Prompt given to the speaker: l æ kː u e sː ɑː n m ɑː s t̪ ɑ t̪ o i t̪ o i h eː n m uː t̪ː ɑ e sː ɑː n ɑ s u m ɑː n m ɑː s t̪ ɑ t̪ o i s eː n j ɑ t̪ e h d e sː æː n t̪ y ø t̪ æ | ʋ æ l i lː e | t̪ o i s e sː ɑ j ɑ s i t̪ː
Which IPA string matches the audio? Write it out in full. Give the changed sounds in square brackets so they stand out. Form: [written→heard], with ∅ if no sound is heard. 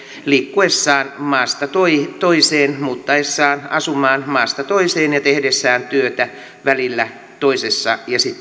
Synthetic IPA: l [æ→i] kː u e sː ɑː n m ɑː s t̪ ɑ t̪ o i t̪ o i [h→s] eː n m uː t̪ː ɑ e sː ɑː n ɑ s u m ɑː n m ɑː s t̪ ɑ t̪ o i s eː n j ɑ t̪ e h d e sː æː n t̪ y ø t̪ æ | ʋ æ l i lː [e→æ] | t̪ o i s e sː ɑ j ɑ s i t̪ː

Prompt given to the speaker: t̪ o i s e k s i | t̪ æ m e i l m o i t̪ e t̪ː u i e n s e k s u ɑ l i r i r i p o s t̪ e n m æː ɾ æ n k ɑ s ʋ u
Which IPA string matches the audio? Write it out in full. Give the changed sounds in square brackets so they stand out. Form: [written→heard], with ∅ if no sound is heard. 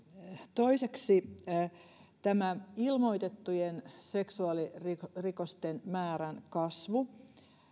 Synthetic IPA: t̪ o i s e k s i | t̪ æ m [e→æ] i l m o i t̪ e t̪ː u [i→j] e n s e k s u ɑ l i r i r i [p→k] o s t̪ e n m æː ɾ æ n k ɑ s ʋ u

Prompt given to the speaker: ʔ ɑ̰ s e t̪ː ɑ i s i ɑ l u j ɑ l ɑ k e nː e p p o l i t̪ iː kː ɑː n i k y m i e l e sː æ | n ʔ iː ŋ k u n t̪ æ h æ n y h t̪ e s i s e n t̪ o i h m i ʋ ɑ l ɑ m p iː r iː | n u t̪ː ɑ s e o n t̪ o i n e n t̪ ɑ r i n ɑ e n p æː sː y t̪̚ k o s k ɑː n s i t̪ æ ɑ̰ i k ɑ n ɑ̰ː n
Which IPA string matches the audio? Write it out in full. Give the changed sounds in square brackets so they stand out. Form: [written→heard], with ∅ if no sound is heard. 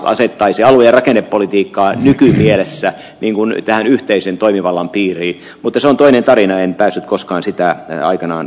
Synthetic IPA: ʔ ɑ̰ s e t̪ː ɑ i s i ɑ l u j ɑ [l→r] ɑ k e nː e p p o l i t̪ iː kː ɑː n [i→y] k y m i e l e sː æ | n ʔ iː ŋ k u n t̪ æ h æ n y h t̪ e [s→∅] i s e n t̪ o i [h→∅] m i ʋ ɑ [l→lː] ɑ m p iː r iː | [n→m] u t̪ː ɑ s e o n t̪ o i n e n t̪ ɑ r i n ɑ e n p æː sː y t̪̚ k o s k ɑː n s i t̪ æ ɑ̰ i k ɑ n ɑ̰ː n

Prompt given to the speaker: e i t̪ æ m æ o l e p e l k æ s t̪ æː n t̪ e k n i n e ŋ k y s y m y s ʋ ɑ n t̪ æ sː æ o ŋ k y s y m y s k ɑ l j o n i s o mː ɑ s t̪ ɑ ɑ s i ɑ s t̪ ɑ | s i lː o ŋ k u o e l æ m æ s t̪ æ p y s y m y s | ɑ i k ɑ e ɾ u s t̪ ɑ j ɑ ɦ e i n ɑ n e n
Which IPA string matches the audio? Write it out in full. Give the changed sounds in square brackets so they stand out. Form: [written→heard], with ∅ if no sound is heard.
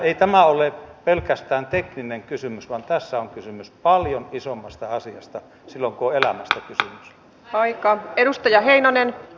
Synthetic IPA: e i t̪ æ m æ o l e p e l k æ s t̪ æː n t̪ e k n i n e ŋ k y s y m y s ʋ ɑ n t̪ æ sː æ o ŋ k y s y m y s [k→p] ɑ l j o n i s o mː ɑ s t̪ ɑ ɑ s i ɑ s t̪ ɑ | s i lː o ŋ k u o e l æ m æ s t̪ æ [p→k] y s y m y s | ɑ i k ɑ e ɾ u s t̪ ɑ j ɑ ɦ e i n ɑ n e n

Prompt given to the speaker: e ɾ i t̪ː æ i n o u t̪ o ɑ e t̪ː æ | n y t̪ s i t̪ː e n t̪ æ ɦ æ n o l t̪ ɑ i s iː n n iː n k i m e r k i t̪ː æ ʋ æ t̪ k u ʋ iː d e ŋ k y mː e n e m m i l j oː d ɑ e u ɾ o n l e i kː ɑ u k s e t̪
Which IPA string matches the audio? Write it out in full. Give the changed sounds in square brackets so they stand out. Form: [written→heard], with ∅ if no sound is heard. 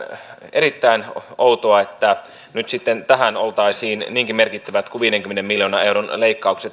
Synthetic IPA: e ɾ i t̪ː æ i n o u t̪ o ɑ e t̪ː æ | n y t̪ s i t̪ː e n t̪ æ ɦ æ n o l t̪ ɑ i s iː n n iː [n→ŋ] k i m e r k i t̪ː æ ʋ æ t̪ k u ʋ iː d e ŋ k y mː e n e m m i l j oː [d→n] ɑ e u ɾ o n l e i kː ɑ u k s e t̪

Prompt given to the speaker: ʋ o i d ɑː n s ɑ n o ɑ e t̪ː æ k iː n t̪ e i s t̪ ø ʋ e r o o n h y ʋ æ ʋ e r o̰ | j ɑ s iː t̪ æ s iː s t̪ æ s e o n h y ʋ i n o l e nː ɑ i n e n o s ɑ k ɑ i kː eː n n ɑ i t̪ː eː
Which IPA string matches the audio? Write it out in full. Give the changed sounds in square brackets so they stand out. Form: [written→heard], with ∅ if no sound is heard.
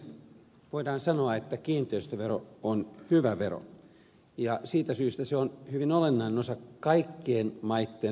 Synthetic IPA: ʋ o i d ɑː n s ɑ n o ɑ e t̪ː æ k iː n t̪ e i s t̪ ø ʋ e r o o n h y ʋ æ ʋ e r o̰ | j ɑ s iː t̪ æ s [iː→yː] s t̪ æ s e o n h y ʋ i n o l e nː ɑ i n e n o s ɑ k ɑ i kː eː n [n→m] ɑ i t̪ː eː

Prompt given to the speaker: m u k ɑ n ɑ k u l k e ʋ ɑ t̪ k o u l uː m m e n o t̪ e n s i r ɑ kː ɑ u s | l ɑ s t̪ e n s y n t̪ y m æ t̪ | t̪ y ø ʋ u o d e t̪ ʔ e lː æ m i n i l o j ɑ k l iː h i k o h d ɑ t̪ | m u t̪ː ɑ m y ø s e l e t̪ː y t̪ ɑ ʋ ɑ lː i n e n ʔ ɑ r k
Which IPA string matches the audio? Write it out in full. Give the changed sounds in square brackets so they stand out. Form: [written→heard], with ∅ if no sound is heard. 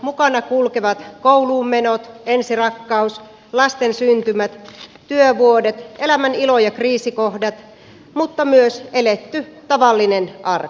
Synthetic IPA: m u k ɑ n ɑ k u l k e ʋ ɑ t̪ k o u l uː m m e n o t̪ e n s i r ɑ kː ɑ u s | l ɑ s t̪ e n s y n t̪ y m æ t̪ | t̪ y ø ʋ u o d e t̪ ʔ e [lː→l] æ m [i→æ] n i l o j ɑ k [l→r] iː [h→s] i k o h d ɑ t̪ | m u t̪ː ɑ m y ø s e l e t̪ː y t̪ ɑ ʋ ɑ lː i n e n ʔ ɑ r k

